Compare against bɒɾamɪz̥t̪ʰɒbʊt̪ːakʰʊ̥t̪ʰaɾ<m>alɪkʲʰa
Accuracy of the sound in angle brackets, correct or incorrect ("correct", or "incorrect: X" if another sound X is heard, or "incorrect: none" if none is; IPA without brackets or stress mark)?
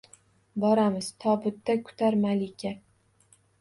correct